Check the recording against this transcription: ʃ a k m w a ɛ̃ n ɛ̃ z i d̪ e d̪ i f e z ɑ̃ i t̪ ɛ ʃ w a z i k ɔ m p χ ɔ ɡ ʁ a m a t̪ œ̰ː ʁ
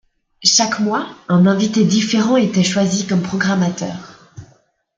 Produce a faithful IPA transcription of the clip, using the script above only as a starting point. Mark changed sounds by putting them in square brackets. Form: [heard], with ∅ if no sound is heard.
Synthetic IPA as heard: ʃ a k m w a ɛ̃ n ɛ̃ [v] i [t̪] e d̪ i f e [ʁ] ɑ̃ [e] t̪ ɛ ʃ w a z i k ɔ m p χ ɔ ɡ ʁ a m a t̪ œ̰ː ʁ